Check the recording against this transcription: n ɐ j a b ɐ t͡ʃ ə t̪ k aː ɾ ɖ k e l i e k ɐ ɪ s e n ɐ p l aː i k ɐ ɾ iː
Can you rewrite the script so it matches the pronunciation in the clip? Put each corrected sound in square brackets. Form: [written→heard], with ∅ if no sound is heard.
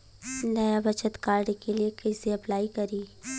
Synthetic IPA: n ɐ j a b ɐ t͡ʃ ə t̪ k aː ɾ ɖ k e l i e k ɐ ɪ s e [n→∅] ɐ p l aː i k ɐ ɾ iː